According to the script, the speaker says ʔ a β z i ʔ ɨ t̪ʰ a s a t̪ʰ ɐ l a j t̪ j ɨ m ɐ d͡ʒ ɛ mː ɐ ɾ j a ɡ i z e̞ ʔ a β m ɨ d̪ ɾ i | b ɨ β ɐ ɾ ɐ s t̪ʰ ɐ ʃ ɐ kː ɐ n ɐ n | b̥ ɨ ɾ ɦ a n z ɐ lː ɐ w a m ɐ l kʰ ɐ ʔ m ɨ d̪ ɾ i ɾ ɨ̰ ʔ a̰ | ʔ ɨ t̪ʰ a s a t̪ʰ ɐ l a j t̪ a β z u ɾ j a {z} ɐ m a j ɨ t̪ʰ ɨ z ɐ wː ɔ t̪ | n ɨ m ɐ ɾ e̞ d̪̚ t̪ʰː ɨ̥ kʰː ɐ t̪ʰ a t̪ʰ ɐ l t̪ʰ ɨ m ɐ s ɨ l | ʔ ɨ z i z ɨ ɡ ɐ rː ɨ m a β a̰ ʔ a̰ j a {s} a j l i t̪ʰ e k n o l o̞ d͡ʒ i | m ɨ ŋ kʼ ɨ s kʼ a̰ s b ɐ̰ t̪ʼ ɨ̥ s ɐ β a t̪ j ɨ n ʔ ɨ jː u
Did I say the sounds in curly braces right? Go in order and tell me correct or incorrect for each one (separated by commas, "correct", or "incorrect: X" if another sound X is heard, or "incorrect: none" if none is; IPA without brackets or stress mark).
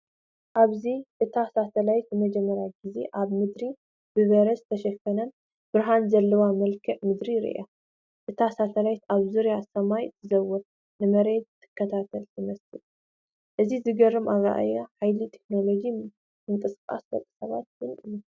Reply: incorrect: s, incorrect: ħ